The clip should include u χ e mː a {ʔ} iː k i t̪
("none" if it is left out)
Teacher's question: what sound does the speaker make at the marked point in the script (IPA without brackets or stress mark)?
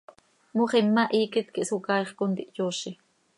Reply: ʔ